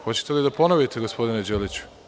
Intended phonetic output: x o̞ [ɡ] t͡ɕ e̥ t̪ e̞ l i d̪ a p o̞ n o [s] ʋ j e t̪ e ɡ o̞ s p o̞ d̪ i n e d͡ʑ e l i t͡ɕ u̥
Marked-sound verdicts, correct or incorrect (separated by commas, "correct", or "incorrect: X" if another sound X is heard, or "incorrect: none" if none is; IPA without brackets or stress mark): incorrect: none, incorrect: none